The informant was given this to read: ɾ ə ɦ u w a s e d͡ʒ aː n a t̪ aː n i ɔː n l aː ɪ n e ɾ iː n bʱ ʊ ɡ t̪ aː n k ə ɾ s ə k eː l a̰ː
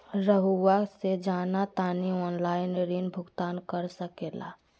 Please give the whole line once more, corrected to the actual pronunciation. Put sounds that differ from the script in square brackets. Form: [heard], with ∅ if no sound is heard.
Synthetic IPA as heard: ɾ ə ɦ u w a s e d͡ʒ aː n a t̪ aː n i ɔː n l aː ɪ n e ɾ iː n bʱ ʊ ɡ t̪ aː n k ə ɾ s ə k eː l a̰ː

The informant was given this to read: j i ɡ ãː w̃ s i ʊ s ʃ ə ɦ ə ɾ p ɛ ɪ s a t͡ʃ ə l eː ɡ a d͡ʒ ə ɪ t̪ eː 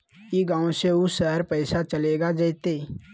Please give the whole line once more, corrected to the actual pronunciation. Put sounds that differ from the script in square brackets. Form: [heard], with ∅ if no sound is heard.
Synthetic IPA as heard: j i ɡ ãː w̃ s [e] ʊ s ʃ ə ɦ ə ɾ p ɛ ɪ s a t͡ʃ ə l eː ɡ a d͡ʒ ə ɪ t̪ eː

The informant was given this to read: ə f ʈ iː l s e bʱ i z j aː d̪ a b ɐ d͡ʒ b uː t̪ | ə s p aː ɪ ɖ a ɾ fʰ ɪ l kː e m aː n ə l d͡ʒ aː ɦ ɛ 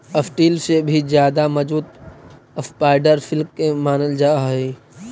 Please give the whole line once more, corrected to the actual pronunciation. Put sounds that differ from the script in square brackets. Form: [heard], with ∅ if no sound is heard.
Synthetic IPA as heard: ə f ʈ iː l s e bʱ i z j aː d̪ a [m] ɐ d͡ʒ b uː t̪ | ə s p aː ɪ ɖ [ə] ɾ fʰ ɪ l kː e m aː n ə l d͡ʒ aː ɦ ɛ

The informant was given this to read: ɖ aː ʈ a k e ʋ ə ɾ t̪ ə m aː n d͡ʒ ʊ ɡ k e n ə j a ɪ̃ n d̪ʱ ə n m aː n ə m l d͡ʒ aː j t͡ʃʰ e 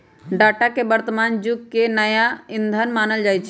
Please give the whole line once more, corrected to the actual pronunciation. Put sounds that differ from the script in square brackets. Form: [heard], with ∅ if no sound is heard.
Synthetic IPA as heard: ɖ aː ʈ a k e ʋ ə ɾ t̪ ə m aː n d͡ʒ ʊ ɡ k e n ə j a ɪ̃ n d̪ʱ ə n m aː n ə [∅] l d͡ʒ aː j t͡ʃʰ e

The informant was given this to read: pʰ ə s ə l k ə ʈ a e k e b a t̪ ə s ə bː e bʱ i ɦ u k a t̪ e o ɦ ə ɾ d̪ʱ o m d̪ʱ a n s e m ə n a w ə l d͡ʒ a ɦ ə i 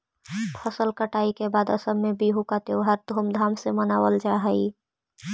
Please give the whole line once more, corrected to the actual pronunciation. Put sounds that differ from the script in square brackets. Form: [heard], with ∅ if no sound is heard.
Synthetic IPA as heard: pʰ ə s ə l k ə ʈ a [i] k e b a [d̪] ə s ə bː e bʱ i ɦ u k a t̪ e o ɦ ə ɾ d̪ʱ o m d̪ʱ a [m] s e m ə n a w ə l d͡ʒ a ɦ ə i

